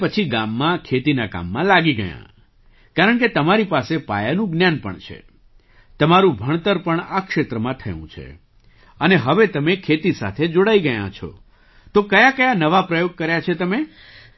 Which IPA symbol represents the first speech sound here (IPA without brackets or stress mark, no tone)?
p